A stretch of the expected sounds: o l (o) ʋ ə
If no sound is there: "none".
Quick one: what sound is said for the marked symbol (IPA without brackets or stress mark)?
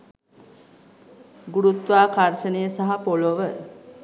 o